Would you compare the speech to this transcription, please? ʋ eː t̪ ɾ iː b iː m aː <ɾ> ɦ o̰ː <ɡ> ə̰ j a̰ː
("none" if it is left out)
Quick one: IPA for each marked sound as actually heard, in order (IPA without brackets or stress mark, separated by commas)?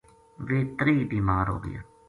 ɾ, ɡ